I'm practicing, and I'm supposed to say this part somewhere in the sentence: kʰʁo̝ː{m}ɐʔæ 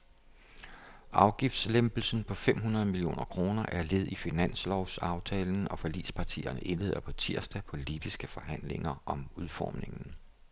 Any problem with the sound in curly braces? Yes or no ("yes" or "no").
yes